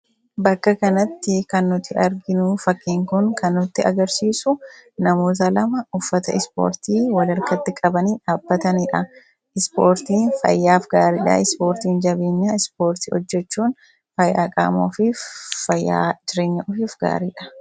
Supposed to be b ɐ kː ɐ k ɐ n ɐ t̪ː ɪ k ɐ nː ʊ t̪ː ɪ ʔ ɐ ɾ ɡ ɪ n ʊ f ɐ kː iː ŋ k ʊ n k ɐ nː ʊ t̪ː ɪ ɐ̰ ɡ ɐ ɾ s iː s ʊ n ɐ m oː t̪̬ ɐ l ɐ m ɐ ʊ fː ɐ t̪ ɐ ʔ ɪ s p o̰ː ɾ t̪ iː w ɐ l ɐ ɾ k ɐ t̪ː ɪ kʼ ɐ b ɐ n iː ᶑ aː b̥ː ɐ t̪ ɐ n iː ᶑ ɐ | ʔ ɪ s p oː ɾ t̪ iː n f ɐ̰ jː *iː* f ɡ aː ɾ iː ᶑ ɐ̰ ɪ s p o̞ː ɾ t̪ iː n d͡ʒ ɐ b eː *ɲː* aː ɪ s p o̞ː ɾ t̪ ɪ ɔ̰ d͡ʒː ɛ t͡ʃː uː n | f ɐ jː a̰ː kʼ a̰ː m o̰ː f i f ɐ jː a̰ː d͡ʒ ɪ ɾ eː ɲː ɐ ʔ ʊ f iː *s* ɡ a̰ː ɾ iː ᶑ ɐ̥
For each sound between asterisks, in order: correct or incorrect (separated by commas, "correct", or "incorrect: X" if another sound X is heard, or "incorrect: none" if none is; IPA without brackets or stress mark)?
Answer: incorrect: aː, correct, incorrect: f